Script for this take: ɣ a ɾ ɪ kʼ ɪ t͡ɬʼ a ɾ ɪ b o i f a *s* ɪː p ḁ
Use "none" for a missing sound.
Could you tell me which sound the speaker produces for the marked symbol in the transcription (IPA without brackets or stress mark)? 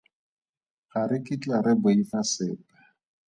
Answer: s